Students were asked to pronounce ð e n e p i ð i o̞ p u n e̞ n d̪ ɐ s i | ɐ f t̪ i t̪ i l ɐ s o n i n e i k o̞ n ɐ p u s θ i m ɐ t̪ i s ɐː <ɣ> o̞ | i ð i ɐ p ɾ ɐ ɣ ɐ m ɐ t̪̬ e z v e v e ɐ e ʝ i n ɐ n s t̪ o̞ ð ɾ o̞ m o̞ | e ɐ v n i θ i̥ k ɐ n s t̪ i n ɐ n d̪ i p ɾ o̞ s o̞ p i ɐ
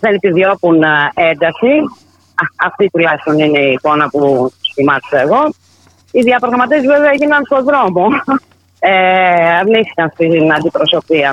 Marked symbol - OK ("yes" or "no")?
yes